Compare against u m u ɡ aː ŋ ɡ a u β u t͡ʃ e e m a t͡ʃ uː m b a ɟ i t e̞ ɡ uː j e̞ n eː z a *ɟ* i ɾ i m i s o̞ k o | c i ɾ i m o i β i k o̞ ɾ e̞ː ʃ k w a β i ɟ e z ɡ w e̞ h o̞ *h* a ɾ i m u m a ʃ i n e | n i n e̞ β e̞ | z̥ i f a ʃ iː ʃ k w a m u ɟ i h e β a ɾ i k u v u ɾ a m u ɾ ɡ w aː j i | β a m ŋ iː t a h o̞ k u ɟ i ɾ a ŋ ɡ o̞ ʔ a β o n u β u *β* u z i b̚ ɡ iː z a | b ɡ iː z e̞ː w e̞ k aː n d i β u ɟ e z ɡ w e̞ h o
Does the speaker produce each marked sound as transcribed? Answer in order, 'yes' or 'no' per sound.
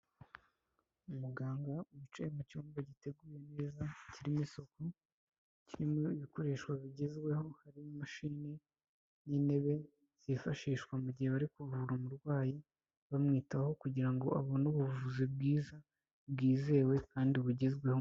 no, yes, no

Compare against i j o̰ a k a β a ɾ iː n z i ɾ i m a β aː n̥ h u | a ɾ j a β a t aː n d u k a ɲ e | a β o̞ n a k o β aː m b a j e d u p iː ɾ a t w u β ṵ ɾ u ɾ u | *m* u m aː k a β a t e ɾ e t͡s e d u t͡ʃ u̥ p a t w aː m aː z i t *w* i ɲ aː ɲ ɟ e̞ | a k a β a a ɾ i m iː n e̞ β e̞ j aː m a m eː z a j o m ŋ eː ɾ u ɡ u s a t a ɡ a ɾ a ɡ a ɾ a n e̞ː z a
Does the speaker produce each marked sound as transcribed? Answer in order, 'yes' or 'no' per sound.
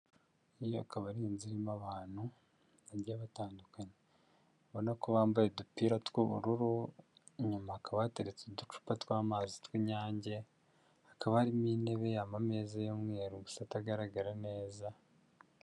no, yes

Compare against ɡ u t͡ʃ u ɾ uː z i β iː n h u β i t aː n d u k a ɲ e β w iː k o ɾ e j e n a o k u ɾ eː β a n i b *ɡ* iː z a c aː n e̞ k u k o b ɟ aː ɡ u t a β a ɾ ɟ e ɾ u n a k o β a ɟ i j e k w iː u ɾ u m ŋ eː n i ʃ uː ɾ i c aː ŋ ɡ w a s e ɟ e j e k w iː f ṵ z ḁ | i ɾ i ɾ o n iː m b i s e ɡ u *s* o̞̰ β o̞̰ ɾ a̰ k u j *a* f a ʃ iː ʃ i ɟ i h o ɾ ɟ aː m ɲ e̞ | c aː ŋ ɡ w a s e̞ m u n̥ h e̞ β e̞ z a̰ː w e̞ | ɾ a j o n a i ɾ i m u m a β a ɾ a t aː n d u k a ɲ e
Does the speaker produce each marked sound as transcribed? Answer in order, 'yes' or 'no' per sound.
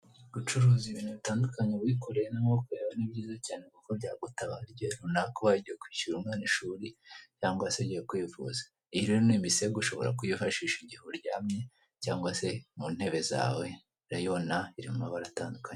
no, no, no

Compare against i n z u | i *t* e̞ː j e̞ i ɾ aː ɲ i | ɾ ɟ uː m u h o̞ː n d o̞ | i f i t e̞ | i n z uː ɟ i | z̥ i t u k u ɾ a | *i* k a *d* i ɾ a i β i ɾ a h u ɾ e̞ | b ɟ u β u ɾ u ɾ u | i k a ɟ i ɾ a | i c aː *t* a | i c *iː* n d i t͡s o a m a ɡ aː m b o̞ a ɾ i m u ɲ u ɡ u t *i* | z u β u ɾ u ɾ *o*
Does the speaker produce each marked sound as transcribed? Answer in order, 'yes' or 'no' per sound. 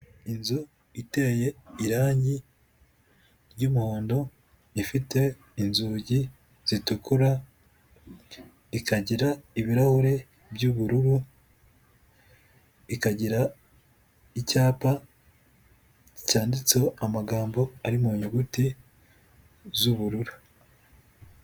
yes, yes, no, no, no, yes, no

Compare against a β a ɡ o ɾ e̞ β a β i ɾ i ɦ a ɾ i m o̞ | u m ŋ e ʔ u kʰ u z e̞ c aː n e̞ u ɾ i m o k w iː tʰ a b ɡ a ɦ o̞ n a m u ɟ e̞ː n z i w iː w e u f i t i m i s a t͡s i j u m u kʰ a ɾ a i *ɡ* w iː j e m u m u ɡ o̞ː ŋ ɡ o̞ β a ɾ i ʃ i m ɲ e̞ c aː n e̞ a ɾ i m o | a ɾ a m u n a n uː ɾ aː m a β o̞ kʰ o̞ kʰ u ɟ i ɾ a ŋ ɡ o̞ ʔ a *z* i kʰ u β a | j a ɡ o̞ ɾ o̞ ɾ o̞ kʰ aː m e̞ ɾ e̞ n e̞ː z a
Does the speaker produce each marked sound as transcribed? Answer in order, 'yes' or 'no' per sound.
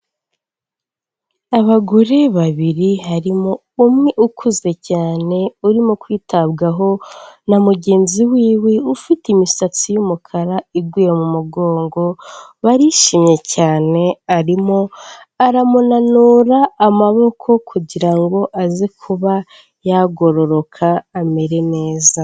yes, yes

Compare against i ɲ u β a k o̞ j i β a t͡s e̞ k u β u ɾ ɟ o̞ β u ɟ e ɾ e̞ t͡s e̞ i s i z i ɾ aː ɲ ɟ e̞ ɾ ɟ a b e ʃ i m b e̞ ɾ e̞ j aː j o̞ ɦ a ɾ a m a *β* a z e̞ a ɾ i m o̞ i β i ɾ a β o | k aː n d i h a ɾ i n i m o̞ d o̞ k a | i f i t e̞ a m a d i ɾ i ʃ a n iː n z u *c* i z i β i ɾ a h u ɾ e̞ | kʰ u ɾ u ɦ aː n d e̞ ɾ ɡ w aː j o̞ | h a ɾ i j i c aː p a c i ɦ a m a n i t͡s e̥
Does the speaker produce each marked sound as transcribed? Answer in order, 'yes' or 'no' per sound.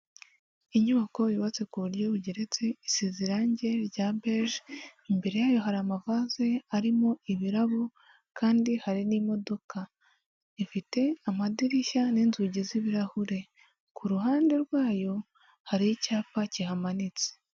no, no

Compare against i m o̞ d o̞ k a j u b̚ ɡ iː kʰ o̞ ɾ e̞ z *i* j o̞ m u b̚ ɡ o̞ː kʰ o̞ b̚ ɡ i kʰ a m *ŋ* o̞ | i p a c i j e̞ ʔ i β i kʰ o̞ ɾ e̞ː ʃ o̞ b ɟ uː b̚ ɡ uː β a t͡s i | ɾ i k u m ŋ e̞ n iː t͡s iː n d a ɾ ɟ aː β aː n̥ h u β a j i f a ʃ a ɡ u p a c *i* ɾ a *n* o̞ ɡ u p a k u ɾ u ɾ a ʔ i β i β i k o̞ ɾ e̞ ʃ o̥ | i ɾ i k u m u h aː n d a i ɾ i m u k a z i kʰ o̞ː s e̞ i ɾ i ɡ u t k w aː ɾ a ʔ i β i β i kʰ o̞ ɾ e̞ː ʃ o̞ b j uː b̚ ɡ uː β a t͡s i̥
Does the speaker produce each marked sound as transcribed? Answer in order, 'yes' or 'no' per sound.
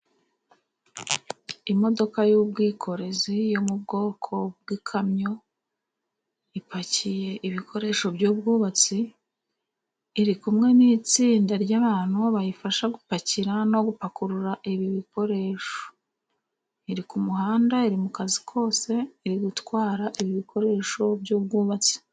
yes, no, yes, yes

